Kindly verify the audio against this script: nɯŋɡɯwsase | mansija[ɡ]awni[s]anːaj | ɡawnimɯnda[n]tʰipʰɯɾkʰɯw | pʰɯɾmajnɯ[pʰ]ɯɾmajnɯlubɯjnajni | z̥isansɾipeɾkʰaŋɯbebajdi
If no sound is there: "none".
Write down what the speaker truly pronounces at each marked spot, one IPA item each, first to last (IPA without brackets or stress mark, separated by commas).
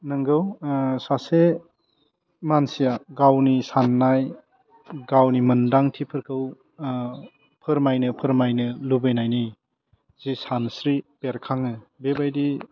ɡ, s, ŋ, pʰ